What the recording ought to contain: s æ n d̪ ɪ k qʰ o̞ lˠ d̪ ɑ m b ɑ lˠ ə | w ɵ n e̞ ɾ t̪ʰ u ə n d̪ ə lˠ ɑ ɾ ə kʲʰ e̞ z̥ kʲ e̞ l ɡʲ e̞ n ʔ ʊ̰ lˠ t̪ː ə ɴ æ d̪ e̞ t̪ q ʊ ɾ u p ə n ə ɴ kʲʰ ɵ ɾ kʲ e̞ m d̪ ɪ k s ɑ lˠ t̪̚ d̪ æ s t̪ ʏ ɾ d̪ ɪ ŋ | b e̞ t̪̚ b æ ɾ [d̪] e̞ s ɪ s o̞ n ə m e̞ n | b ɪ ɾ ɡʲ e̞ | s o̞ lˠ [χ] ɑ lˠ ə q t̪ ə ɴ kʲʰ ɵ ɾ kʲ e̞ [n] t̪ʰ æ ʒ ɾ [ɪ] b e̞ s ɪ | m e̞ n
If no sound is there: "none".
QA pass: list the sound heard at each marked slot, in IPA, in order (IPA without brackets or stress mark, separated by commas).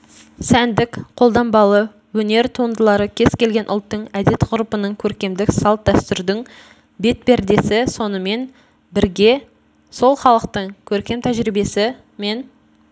d̪, χ, m, i